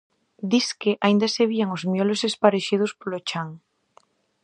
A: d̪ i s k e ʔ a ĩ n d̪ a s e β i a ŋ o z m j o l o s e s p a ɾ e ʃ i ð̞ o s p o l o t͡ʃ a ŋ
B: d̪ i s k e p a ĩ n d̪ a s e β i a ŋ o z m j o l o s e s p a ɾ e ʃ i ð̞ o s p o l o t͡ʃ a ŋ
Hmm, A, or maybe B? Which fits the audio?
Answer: A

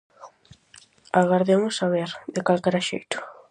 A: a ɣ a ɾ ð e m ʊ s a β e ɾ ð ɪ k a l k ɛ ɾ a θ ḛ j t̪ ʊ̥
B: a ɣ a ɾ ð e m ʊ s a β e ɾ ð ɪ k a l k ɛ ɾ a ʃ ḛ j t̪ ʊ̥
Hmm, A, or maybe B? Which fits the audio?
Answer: B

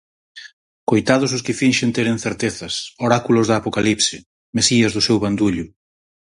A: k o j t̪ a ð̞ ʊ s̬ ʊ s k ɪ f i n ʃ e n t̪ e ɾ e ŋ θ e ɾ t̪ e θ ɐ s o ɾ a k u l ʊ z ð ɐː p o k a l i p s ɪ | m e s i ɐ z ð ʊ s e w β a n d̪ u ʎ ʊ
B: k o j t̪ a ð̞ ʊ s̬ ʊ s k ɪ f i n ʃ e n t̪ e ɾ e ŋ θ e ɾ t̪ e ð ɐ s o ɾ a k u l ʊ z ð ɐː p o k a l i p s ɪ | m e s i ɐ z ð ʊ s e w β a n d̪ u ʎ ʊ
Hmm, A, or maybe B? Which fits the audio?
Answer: A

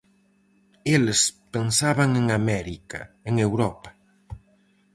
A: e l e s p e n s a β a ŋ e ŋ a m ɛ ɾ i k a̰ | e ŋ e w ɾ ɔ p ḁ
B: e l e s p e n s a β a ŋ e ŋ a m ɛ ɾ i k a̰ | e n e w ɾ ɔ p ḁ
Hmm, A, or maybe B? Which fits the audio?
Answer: A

